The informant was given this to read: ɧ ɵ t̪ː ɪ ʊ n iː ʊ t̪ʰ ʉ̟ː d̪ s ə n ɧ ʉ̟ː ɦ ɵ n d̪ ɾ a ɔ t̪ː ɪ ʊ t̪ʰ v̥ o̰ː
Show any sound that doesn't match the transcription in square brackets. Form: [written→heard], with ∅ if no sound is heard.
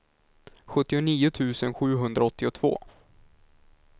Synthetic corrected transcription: ɧ ɵ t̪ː ɪ ʊ n iː ʊ t̪ʰ ʉ̟ː [d̪→∅] s ə n ɧ ʉ̟ː ɦ ɵ n d̪ ɾ a ɔ t̪ː ɪ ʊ t̪ʰ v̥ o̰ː